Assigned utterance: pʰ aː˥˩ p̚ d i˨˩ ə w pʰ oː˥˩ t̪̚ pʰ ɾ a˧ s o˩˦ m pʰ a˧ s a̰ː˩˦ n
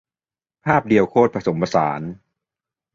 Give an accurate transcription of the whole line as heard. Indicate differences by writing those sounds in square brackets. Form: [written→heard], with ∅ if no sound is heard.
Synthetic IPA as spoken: pʰ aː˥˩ p̚ d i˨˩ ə w [pʰ→kʰ] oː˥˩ t̪̚ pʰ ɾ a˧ s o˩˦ m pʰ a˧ s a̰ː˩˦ n